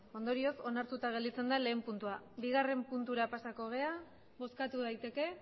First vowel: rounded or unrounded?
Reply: rounded